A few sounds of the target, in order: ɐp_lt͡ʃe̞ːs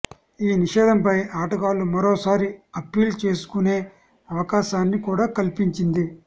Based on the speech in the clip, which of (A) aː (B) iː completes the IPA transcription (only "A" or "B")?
B